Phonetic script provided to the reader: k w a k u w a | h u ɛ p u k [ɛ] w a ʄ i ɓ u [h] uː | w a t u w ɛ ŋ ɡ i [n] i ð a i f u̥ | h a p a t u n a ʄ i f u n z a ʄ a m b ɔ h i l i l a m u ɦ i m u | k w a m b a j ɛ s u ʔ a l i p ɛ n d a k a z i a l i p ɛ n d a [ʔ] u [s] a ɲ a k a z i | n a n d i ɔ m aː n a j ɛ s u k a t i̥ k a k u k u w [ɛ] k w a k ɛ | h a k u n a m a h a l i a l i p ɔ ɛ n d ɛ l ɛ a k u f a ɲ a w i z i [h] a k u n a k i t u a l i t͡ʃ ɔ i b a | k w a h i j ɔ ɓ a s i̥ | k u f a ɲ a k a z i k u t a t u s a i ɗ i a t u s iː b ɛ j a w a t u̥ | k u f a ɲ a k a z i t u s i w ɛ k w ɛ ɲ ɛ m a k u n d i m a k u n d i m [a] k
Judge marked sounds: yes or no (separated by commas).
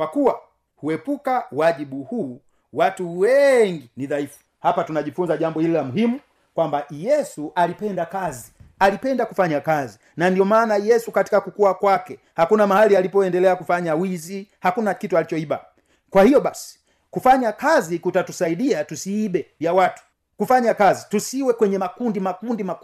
no, yes, yes, no, no, no, yes, yes